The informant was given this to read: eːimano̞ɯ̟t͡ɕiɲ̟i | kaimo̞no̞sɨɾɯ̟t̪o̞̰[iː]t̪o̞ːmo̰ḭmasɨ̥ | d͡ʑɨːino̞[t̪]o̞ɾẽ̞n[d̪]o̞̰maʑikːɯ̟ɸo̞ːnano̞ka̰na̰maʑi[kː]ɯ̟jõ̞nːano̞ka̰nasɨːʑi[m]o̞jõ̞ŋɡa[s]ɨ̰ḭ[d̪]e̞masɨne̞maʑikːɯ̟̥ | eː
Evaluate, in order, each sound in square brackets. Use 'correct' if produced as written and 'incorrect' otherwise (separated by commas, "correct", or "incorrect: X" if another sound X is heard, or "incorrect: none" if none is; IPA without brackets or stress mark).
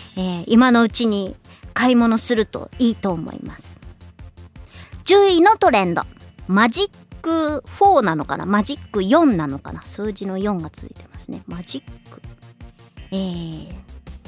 correct, correct, correct, correct, incorrect: n, incorrect: t͡s, incorrect: t̪